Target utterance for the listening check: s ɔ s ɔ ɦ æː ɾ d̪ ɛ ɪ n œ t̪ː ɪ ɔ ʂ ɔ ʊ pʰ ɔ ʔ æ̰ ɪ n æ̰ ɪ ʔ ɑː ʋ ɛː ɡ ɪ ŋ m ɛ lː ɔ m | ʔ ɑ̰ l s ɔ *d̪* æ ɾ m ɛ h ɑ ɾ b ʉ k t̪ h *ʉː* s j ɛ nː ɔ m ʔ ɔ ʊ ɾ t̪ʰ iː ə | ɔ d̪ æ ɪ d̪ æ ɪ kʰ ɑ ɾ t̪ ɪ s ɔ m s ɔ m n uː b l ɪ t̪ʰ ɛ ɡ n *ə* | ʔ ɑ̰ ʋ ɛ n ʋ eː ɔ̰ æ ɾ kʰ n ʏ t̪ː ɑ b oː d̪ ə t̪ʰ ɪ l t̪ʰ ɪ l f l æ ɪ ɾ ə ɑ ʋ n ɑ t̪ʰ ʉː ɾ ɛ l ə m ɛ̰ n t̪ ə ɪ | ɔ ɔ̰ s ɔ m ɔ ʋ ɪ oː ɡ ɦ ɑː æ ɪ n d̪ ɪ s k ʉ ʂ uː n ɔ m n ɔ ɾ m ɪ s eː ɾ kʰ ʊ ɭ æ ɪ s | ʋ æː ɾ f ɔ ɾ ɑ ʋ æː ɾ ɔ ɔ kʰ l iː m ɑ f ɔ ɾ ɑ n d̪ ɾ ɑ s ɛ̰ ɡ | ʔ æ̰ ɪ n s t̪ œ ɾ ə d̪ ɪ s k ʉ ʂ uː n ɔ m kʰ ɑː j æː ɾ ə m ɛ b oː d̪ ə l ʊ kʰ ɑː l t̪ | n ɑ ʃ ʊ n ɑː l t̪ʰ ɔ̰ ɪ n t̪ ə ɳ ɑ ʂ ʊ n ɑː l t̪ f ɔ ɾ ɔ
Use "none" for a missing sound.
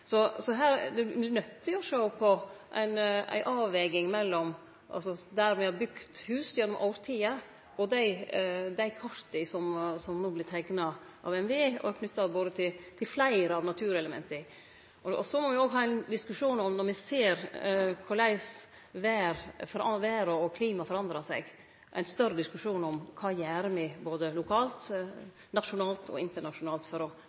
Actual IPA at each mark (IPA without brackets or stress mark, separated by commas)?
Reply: d̪, ʉː, ɑ